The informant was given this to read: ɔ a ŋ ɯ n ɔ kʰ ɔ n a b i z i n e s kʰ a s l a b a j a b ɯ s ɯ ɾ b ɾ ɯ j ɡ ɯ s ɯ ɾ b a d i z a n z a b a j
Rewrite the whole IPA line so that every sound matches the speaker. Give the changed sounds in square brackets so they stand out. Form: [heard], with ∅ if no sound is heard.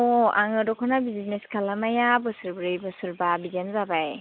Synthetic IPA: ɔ a ŋ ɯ [d] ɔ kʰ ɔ n a b i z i n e s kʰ a [∅] l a [m] a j a b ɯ s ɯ ɾ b ɾ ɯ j [b] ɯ s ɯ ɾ b a [b] i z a n z a b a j